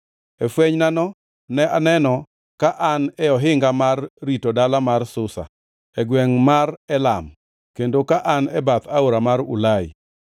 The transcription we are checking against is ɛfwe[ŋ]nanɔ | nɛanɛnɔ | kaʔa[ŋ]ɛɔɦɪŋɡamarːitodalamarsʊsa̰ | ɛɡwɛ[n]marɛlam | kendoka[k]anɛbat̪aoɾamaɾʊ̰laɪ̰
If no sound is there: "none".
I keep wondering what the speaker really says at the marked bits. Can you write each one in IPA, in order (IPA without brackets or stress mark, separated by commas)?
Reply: ɲ, n, ŋ, ʔ